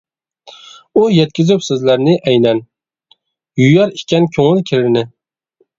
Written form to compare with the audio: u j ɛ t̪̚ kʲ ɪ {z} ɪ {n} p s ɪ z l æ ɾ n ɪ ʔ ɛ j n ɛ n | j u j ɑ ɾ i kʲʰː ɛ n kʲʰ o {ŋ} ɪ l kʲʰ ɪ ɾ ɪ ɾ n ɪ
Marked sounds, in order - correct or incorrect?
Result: correct, incorrect: none, correct

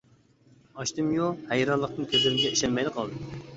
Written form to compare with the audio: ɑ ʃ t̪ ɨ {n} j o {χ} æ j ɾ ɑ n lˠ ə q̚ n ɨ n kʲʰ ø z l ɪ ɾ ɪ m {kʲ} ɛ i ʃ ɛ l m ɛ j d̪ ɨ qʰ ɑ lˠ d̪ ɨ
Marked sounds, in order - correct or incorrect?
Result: incorrect: m, incorrect: h, incorrect: ɡʲ

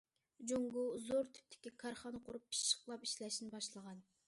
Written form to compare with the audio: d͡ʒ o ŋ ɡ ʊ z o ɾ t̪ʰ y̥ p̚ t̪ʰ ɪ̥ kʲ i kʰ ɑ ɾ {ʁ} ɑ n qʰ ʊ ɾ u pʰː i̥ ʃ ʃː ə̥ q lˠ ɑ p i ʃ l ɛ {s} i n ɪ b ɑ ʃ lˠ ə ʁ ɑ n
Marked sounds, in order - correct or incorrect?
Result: incorrect: χ, incorrect: ʃ

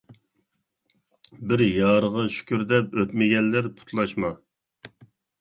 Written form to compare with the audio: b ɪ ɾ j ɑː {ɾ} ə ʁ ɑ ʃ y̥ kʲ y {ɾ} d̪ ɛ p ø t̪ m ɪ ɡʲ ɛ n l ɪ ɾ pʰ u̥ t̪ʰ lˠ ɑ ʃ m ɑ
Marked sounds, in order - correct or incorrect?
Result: correct, correct

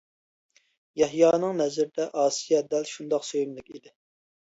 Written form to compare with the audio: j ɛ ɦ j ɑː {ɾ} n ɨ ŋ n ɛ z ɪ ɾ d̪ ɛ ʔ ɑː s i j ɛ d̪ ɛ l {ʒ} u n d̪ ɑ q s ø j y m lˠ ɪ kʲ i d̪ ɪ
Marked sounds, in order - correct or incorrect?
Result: incorrect: none, incorrect: ʃ

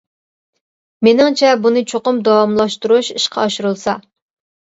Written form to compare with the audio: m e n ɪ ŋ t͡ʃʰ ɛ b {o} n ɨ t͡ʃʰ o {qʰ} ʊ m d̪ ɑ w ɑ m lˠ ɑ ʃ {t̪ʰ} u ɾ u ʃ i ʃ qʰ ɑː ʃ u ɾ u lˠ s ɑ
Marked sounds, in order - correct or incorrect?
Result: incorrect: u, incorrect: q, incorrect: t̪

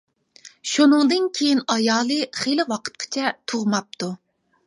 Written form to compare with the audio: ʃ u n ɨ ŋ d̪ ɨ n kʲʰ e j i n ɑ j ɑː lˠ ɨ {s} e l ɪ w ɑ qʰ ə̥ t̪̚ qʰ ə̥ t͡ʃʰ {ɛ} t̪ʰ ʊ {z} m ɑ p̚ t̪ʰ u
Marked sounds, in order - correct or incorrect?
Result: incorrect: χ, correct, incorrect: ʁ

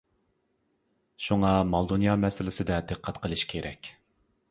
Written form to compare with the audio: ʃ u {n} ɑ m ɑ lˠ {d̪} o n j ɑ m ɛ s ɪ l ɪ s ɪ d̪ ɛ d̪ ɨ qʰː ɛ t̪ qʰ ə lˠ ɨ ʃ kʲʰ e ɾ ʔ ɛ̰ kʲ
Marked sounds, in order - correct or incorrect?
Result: incorrect: ŋ, correct

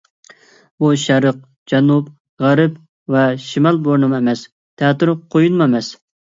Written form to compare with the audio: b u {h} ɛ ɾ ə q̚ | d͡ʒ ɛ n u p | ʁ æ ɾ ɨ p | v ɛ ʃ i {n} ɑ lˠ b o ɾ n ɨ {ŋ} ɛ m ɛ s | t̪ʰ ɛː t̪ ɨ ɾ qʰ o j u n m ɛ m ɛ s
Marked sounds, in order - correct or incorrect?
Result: incorrect: ʃ, incorrect: m, incorrect: m

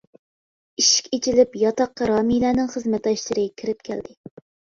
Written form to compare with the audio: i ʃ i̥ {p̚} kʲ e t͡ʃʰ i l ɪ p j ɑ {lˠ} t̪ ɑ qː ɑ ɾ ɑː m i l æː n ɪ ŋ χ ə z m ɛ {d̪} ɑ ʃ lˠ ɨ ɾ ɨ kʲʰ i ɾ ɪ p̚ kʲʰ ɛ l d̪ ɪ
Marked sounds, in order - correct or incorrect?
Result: incorrect: none, incorrect: none, incorrect: t̪

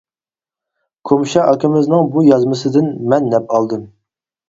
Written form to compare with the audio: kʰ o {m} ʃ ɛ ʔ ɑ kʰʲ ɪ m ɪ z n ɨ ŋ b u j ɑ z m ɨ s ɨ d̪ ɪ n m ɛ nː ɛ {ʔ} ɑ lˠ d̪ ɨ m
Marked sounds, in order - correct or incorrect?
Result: correct, incorrect: p

